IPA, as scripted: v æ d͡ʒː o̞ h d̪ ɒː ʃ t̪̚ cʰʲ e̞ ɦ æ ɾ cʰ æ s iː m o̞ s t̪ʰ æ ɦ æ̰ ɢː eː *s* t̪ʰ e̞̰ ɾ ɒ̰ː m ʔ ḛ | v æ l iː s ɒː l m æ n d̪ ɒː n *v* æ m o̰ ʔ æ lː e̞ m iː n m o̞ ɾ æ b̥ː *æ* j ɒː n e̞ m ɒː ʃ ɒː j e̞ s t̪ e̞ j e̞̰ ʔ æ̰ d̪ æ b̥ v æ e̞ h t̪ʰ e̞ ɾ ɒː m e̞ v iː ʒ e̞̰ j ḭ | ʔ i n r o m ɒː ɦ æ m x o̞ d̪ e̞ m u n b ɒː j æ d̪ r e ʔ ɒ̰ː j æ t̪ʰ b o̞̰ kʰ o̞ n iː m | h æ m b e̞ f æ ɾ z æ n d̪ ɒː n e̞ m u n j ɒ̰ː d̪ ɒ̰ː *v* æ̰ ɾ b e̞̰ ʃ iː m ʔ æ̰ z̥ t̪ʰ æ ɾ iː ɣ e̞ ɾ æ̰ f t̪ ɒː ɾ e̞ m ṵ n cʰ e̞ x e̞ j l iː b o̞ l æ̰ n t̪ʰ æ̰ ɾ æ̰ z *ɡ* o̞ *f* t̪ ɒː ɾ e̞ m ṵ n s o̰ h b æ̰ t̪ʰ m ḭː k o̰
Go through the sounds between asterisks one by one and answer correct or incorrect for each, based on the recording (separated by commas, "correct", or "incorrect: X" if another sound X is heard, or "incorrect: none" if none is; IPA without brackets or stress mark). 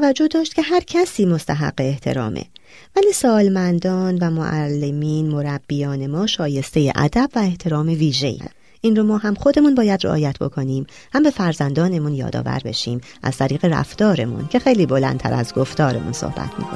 incorrect: h, correct, incorrect: i, correct, correct, correct